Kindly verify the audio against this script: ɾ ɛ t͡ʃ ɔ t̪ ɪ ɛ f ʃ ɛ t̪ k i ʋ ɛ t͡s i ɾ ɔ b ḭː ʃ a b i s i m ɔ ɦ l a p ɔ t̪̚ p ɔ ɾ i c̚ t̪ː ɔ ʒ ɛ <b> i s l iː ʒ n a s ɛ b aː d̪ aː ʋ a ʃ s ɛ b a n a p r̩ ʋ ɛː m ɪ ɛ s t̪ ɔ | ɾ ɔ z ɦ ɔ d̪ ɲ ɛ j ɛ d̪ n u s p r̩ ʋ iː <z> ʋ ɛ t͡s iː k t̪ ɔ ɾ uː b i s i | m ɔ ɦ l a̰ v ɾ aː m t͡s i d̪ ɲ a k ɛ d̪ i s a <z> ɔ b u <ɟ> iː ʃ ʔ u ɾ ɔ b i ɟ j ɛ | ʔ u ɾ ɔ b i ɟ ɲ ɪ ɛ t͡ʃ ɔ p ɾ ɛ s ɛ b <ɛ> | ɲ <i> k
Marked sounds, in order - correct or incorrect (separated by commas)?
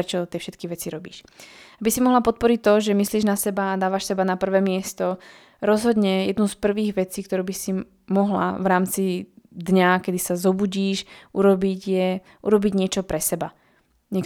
incorrect, incorrect, correct, correct, incorrect, incorrect